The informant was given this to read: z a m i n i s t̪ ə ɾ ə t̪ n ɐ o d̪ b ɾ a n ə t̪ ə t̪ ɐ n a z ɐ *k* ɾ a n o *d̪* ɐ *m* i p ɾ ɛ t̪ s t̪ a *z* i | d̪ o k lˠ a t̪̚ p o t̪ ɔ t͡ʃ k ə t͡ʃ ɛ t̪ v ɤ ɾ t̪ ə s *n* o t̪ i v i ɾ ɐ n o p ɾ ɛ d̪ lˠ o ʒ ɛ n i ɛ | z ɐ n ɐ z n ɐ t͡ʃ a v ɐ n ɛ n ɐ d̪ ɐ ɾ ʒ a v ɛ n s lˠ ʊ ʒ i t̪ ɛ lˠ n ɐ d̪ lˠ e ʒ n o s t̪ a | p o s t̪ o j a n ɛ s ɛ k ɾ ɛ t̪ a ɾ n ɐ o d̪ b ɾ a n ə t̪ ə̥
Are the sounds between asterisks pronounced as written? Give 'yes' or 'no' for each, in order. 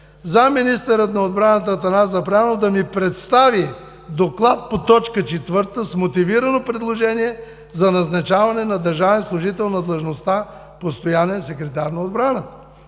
no, yes, yes, no, no

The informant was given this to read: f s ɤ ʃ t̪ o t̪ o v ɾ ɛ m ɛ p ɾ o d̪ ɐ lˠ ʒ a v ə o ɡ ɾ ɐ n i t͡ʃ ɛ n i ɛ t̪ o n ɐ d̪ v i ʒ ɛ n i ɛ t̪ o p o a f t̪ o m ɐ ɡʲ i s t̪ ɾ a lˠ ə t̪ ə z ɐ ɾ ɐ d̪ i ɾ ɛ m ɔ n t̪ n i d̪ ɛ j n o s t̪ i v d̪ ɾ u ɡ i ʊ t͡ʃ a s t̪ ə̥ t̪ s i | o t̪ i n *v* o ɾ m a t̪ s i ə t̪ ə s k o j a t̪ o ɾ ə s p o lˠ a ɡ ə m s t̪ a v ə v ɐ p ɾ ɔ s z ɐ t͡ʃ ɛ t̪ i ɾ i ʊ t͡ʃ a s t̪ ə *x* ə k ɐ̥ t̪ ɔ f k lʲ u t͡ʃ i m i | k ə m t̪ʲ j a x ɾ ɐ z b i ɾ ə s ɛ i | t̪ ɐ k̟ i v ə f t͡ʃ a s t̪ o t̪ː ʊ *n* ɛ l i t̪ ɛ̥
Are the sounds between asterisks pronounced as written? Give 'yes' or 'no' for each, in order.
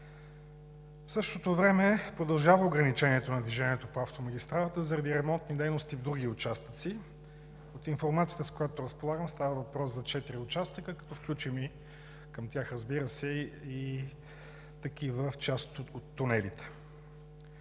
no, no, yes

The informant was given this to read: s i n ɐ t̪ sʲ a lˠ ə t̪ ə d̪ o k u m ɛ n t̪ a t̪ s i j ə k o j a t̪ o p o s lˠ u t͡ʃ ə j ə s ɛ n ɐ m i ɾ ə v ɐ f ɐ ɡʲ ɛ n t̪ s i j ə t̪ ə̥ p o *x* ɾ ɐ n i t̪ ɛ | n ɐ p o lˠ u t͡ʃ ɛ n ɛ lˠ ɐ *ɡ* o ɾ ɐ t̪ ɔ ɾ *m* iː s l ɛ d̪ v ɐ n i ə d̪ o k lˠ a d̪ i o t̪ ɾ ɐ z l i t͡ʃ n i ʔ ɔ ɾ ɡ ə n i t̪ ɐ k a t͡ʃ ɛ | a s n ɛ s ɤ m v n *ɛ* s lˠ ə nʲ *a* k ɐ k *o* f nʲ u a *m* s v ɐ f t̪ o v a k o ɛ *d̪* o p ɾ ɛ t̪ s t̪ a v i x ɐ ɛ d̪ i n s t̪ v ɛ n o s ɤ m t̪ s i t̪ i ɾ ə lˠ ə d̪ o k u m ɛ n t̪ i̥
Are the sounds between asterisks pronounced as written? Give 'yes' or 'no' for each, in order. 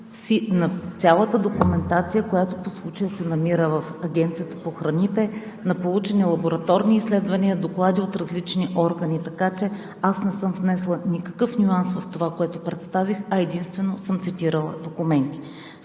yes, no, no, yes, no, no, no, no

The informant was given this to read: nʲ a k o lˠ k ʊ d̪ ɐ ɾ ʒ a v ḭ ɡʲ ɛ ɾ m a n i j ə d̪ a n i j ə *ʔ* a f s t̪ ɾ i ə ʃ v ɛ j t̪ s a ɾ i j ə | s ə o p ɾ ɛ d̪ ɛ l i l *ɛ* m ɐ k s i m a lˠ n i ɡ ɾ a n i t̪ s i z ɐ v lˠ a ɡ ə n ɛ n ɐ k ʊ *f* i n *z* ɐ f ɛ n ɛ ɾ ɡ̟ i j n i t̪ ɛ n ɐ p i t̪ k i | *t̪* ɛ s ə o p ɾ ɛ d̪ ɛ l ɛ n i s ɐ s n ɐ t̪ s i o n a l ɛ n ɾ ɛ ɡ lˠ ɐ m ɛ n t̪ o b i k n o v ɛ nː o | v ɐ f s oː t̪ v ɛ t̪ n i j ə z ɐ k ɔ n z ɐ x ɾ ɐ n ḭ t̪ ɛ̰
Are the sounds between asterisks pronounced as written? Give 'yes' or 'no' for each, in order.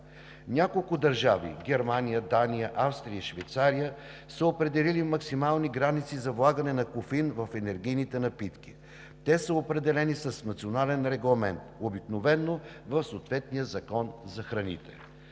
yes, no, yes, no, yes

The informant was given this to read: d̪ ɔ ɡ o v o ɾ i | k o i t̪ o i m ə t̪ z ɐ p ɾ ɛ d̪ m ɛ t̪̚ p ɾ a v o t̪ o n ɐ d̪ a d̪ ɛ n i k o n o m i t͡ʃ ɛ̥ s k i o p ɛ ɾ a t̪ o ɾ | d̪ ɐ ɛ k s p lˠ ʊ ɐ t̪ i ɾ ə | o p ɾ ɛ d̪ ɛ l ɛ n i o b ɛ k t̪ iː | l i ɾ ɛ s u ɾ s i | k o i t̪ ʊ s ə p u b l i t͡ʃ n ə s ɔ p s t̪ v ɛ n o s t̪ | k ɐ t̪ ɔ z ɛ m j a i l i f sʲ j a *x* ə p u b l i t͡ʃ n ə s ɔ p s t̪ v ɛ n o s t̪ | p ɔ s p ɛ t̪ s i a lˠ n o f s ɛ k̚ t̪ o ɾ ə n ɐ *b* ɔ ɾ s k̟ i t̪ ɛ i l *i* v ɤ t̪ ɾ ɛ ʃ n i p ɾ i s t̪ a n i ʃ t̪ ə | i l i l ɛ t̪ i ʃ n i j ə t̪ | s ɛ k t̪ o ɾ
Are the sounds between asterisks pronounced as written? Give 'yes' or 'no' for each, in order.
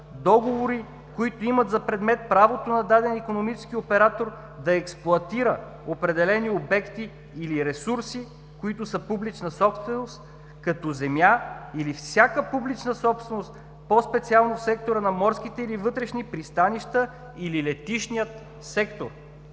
no, no, yes

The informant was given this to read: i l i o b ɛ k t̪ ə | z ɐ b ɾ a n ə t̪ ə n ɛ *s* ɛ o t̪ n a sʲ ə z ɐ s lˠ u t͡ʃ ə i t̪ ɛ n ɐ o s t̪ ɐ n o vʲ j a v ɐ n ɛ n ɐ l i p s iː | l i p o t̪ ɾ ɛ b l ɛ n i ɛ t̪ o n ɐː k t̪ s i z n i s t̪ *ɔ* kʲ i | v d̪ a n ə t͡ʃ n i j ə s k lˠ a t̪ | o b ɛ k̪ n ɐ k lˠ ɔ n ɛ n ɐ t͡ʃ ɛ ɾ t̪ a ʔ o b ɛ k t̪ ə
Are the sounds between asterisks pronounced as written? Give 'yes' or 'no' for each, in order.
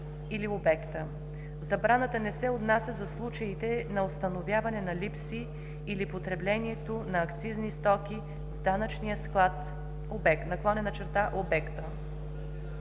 yes, yes

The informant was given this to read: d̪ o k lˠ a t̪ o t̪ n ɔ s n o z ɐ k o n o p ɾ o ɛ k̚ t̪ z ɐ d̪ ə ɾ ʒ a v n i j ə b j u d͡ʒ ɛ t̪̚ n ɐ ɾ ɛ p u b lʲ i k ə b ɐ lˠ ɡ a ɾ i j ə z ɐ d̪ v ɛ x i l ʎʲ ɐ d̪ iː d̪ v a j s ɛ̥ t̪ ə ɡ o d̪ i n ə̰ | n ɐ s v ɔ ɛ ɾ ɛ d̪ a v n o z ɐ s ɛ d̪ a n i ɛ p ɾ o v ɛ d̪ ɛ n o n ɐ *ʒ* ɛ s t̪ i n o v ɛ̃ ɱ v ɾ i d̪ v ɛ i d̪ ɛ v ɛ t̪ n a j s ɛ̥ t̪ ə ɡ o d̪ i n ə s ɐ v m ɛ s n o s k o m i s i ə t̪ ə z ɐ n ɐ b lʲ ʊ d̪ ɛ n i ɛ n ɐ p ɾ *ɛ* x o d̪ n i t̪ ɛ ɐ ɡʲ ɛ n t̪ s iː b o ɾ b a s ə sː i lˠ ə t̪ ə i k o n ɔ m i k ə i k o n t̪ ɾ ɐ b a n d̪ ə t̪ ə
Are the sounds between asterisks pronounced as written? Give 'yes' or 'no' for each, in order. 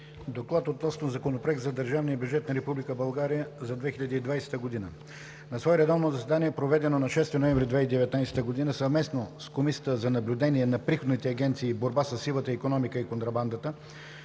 no, no

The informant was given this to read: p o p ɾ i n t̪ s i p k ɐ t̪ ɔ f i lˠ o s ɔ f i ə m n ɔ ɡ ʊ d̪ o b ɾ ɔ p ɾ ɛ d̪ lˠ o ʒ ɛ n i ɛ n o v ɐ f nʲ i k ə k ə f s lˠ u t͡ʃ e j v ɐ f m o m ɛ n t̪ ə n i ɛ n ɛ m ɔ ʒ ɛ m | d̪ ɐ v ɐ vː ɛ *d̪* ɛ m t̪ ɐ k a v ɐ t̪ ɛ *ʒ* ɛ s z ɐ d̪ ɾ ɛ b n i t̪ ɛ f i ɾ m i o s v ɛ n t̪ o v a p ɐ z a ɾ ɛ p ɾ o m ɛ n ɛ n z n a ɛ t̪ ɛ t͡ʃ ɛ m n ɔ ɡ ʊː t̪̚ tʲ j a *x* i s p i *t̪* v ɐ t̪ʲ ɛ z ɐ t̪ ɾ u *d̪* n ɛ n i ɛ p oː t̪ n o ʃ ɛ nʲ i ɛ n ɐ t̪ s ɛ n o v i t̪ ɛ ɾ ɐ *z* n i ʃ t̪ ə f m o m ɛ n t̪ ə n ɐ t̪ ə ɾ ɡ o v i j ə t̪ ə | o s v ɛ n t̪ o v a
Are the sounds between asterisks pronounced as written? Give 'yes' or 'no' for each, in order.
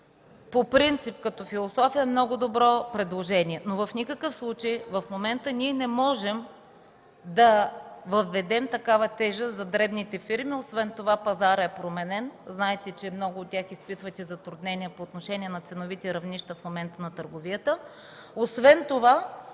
yes, yes, yes, yes, yes, no

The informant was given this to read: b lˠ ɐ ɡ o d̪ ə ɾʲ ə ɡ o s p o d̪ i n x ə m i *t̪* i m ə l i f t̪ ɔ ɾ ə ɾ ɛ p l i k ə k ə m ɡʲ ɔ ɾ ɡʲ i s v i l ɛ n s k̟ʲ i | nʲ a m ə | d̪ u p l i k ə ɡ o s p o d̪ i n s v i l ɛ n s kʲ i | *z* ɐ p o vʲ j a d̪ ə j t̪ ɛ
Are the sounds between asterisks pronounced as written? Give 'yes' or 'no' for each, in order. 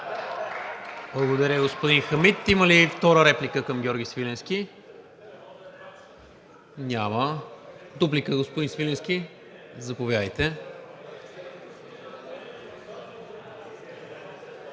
yes, yes

